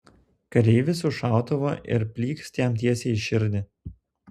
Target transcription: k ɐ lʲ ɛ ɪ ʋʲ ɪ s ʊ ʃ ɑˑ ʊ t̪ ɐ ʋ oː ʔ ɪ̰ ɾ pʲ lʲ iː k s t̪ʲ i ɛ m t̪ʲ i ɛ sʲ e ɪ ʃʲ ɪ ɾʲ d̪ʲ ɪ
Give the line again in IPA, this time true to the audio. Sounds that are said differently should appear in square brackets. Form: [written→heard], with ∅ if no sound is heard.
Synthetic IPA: k ɐ [lʲ→ɾʲ] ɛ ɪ ʋʲ ɪ s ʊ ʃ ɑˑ ʊ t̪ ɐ ʋ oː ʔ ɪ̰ ɾ pʲ lʲ iː k s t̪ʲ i ɛ m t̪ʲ i ɛ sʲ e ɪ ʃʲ ɪ ɾʲ d̪ʲ ɪ

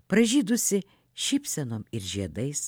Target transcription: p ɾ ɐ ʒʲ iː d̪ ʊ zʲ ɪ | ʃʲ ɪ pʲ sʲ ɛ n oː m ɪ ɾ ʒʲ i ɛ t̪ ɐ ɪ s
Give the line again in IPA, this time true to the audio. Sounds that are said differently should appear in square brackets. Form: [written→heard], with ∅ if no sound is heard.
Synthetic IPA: p ɾ ɐ ʒʲ iː d̪ ʊ [zʲ→sʲ] ɪ | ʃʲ ɪ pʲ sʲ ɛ n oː m ɪ ɾ ʒʲ i ɛ [t̪→d̪] ɐ ɪ s

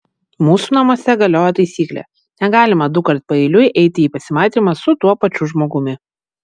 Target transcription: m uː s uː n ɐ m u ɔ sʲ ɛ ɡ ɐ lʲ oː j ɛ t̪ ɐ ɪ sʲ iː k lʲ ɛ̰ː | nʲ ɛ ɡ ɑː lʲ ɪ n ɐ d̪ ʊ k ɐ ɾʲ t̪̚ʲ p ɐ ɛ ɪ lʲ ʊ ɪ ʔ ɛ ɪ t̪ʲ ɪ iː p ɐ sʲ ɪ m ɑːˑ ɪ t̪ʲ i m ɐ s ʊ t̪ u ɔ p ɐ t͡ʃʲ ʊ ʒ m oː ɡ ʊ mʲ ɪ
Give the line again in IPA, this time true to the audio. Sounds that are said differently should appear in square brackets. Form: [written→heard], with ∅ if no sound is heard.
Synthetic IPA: m uː s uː n ɐ m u ɔ sʲ ɛ ɡ ɐ lʲ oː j ɛ t̪ ɐ ɪ sʲ iː k lʲ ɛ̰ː | nʲ ɛ ɡ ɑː lʲ ɪ [n→m] ɐ d̪ ʊ k ɐ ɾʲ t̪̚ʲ p ɐ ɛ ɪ lʲ ʊ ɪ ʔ ɛ ɪ t̪ʲ ɪ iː p ɐ sʲ ɪ m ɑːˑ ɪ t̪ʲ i m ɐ s ʊ t̪ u ɔ p ɐ t͡ʃʲ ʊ ʒ m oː ɡ ʊ mʲ ɪ

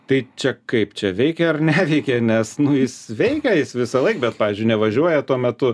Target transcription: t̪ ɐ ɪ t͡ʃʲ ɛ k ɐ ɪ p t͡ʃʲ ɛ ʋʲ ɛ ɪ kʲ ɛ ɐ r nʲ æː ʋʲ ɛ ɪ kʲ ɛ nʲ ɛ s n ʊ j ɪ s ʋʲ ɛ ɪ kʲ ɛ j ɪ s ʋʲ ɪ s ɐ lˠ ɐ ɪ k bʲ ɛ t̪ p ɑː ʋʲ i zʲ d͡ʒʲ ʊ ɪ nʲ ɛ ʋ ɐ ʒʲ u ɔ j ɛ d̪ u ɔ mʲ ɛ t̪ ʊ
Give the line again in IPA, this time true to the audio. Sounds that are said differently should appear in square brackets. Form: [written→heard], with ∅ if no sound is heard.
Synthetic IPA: t̪ ɐ ɪ t͡ʃʲ ɛ k ɐ ɪ p t͡ʃʲ ɛ ʋʲ ɛ ɪ kʲ ɛ ɐ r nʲ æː ʋʲ ɛ ɪ kʲ ɛ nʲ ɛ s n ʊ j ɪ s ʋʲ ɛ ɪ kʲ ɛ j ɪ s ʋʲ ɪ s ɐ lˠ ɐ ɪ k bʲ ɛ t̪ p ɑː ʋʲ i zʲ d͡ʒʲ ʊ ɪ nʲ ɛ ʋ ɐ ʒʲ u ɔ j ɛ [d̪→t̪] u ɔ mʲ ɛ t̪ ʊ

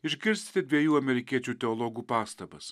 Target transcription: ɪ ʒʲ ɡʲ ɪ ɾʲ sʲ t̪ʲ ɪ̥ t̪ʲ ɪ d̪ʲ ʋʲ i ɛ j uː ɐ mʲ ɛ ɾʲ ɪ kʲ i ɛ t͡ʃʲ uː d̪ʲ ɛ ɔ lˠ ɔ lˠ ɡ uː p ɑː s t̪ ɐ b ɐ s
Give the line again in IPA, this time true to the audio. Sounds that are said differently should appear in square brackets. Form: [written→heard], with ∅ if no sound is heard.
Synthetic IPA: ɪ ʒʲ ɡʲ ɪ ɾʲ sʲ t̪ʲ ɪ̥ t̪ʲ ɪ d̪ʲ ʋʲ i ɛ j uː ɐ mʲ ɛ ɾʲ ɪ kʲ i ɛ t͡ʃʲ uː [d̪ʲ→t̪ʲ] ɛ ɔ lˠ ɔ [lˠ→∅] ɡ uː p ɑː s t̪ ɐ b ɐ s

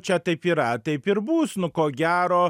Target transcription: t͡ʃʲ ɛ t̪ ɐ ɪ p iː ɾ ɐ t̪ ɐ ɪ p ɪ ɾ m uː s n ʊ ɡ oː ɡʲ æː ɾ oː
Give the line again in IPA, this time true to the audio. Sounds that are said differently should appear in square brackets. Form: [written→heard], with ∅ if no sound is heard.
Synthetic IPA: t͡ʃʲ ɛ t̪ ɐ ɪ p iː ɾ ɐ t̪ ɐ ɪ p ɪ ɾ [m→b] uː s n ʊ [ɡ→k] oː ɡʲ æː ɾ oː

